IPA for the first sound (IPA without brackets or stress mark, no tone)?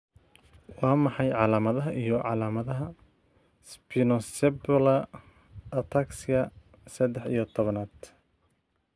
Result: w